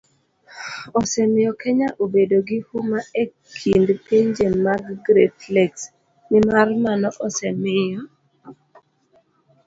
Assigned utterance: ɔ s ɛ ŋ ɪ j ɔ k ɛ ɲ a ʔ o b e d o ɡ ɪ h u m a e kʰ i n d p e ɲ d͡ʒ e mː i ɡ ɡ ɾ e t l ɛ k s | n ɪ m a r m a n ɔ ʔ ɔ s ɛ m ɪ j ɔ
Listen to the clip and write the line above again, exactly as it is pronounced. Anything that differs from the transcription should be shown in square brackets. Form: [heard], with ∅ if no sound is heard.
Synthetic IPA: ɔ s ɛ [m] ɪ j ɔ k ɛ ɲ a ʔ o b e d o ɡ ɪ h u m a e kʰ i n d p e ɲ d͡ʒ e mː [a] ɡ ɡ ɾ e t l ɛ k s | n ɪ m a r m a n ɔ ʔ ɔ s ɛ m ɪ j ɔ